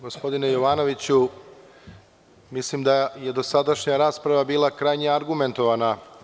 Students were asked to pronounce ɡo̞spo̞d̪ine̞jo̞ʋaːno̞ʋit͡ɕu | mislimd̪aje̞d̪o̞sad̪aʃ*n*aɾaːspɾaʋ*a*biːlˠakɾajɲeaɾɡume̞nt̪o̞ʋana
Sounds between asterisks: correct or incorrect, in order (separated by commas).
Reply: incorrect, correct